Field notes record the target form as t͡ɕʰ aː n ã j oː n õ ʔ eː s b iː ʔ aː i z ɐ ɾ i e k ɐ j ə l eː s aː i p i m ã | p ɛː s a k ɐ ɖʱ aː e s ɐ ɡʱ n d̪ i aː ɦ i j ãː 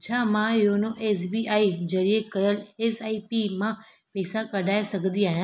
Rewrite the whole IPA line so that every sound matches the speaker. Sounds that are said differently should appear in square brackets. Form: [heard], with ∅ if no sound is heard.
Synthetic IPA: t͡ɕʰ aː [m] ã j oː n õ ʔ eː s b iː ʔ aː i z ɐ ɾ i e k ɐ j ə l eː s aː i p i m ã | p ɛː s a k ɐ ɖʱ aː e s ɐ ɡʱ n d̪ i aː ɦ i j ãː

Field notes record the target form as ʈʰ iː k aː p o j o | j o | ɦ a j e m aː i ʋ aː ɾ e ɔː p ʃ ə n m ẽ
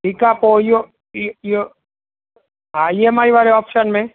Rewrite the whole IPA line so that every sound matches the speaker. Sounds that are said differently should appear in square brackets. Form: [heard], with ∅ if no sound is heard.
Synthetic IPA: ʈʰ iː k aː p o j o | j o | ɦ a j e m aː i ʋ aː ɾ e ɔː p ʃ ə n m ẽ

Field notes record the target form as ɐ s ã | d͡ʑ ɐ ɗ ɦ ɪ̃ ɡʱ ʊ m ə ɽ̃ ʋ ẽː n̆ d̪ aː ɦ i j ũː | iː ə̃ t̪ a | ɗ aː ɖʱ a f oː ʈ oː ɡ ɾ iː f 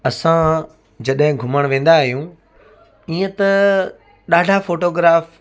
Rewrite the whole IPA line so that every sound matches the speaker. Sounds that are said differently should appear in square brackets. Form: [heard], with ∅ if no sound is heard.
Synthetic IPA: ɐ s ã | d͡ʑ ɐ ɗ ɦ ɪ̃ ɡʱ ʊ m ə ɽ̃ ʋ ẽː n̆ d̪ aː ɦ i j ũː | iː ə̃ t̪ [ɐ] | ɗ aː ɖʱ a f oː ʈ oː ɡ ɾ [aː] f

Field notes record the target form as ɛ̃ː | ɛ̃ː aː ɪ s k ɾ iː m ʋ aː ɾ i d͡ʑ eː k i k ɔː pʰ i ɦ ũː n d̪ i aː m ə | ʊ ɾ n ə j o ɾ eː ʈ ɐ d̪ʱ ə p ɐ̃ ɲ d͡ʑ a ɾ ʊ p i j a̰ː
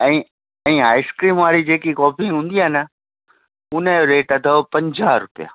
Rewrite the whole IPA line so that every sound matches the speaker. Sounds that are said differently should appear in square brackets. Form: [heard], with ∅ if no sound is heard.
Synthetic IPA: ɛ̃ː | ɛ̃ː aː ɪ s k ɾ iː m ʋ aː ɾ i d͡ʑ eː k i k ɔː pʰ i ɦ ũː n d̪ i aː [n] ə | ʊ [∅] n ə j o ɾ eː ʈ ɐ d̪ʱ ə p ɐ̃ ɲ d͡ʑ a ɾ ʊ p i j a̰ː

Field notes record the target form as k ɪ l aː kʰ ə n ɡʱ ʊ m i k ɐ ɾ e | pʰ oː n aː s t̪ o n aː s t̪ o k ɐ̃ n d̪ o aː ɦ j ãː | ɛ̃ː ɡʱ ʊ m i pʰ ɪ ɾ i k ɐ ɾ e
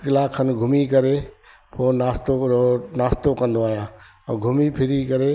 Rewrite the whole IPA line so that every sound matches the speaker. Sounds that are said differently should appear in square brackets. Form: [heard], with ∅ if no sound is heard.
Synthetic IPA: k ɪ l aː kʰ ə n ɡʱ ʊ m i k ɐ ɾ e | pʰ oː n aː s t̪ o n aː s t̪ o k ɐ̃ n d̪ o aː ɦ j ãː | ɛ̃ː ɡʱ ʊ m i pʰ ɪ ɾ i k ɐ ɾ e

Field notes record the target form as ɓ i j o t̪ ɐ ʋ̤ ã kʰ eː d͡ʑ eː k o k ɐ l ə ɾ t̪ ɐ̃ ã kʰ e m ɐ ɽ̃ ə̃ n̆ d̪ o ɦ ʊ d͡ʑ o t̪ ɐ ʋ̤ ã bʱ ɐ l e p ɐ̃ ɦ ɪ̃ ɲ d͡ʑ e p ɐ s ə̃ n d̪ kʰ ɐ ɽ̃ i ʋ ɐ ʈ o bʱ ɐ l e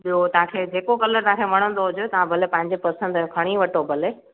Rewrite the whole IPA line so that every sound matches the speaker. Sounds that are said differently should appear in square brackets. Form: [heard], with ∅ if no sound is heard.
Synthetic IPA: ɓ i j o t̪ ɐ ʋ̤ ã kʰ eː d͡ʑ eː k o k ɐ l ə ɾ t̪ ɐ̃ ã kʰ e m ɐ ɽ̃ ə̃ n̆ d̪ o ɦ ʊ d͡ʑ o t̪ ɐ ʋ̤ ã bʱ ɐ l e p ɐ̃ ɦ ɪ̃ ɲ d͡ʑ e p ɐ s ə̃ n d̪ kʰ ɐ ɽ̃ i ʋ ɐ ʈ o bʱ ɐ l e

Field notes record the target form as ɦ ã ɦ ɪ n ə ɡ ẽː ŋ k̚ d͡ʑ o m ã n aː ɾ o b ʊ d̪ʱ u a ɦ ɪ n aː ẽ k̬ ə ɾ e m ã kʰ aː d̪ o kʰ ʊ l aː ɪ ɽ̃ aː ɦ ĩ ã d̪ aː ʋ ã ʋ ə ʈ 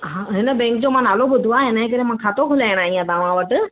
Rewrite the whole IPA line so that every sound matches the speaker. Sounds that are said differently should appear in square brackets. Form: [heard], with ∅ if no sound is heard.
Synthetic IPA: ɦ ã ɦ ɪ n ə [b] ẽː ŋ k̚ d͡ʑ o m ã n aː [l] o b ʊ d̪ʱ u a ɦ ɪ n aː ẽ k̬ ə ɾ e m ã kʰ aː [t̪] o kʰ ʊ l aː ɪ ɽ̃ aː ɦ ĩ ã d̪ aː ʋ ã ʋ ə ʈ

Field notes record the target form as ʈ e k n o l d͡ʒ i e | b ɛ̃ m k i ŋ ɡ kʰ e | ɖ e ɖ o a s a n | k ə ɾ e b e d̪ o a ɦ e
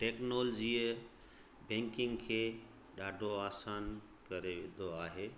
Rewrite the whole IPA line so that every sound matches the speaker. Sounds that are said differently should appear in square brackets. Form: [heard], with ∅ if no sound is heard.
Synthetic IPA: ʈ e k n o l d͡ʒ i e | b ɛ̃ [ŋ] k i ŋ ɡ kʰ e | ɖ [a] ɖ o a s a n | k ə ɾ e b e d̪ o a ɦ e

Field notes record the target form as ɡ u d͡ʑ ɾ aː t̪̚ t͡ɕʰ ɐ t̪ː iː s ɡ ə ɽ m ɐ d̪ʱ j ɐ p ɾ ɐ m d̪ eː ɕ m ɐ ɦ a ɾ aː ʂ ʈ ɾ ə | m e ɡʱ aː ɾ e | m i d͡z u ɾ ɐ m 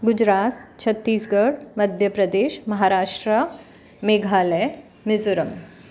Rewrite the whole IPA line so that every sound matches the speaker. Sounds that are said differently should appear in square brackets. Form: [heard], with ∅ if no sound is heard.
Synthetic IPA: ɡ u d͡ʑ ɾ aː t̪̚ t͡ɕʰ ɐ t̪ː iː s ɡ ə ɽ m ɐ d̪ʱ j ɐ p ɾ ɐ [∅] d̪ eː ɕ m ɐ ɦ a ɾ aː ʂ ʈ ɾ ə | m e ɡʱ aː [l] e | m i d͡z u ɾ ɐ m

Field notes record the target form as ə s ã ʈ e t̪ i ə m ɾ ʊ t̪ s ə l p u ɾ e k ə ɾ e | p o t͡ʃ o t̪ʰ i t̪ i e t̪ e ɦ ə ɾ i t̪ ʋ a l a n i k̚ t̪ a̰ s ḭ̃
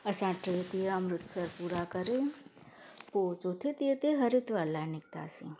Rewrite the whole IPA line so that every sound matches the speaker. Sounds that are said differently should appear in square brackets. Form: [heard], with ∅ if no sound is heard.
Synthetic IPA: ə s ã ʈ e t̪ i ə m ɾ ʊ t̪ s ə [ɾ] p u ɾ [a] k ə ɾ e | p o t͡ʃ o t̪ʰ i t̪ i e t̪ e ɦ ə ɾ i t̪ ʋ a l a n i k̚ t̪ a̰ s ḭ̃

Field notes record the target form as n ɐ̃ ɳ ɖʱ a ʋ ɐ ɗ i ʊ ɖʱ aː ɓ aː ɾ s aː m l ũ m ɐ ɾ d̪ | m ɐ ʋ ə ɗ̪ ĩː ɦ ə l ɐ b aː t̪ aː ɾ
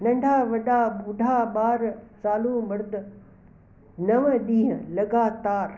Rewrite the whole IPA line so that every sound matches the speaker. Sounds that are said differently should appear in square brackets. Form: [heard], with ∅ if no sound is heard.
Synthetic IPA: n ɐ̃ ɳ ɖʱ a ʋ ɐ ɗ [a] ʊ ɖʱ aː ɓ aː ɾ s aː [∅] l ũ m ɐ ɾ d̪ | [n] ɐ ʋ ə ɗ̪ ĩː ɦ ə l ɐ [ɡ] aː t̪ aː ɾ

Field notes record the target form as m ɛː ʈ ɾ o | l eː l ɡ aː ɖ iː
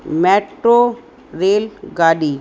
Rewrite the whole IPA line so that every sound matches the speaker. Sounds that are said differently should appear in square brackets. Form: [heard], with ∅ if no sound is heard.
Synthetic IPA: m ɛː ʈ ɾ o | [ɾ] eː l ɡ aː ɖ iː

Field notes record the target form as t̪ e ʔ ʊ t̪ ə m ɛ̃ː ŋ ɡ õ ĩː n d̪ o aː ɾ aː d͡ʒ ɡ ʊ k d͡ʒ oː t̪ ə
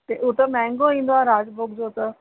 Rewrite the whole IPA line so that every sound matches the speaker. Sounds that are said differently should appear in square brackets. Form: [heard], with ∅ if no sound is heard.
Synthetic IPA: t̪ e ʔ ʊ t̪ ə m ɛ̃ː ŋ ɡ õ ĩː n d̪ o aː ɾ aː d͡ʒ [b] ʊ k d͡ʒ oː t̪ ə

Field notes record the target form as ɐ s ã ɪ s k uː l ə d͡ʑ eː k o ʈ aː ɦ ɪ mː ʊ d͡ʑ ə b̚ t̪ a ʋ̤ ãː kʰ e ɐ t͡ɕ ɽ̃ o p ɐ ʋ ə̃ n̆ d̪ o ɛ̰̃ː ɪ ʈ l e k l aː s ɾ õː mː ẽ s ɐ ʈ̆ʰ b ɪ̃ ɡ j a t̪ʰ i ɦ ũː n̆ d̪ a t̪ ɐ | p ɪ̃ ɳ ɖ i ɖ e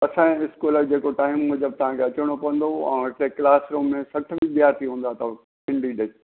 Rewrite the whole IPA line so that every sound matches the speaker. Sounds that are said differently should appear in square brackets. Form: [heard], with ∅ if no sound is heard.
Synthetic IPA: ɐ s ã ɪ s k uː l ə d͡ʑ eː k o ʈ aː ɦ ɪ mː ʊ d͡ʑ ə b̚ t̪ [ɐ] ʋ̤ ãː kʰ e ɐ t͡ɕ ɽ̃ o p ɐ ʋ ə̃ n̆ d̪ o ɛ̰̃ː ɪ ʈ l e k l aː s ɾ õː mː ẽ s ɐ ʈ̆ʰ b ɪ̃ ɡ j a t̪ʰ i ɦ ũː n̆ d̪ a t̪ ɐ | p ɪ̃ ɳ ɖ i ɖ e

